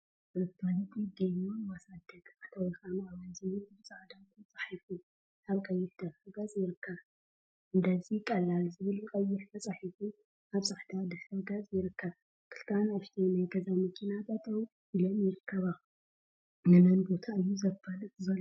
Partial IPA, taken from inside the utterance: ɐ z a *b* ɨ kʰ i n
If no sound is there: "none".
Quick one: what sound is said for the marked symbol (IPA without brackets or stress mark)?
m